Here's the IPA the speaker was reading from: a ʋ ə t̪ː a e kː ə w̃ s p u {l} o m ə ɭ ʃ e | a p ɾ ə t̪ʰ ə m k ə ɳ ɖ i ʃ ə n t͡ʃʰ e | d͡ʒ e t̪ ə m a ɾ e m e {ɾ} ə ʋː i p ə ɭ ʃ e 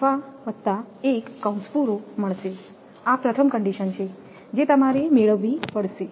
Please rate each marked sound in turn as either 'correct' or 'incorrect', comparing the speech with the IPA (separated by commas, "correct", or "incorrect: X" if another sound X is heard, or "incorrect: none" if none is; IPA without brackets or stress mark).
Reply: incorrect: ɾ, incorrect: ɭ